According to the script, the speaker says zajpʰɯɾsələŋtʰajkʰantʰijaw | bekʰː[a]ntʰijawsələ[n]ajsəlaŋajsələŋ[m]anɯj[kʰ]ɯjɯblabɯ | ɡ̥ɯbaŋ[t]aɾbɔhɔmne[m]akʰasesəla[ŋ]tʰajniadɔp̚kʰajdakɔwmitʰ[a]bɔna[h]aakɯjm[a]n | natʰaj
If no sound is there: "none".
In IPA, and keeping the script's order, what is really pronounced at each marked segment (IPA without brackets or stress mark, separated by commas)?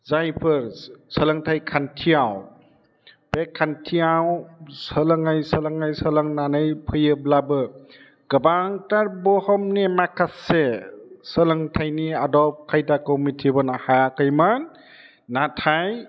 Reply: a, ŋ, n, pʰ, t, m, ŋ, i, h, a